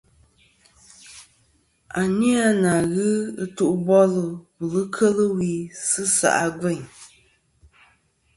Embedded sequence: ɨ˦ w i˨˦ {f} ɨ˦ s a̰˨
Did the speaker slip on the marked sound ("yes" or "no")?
yes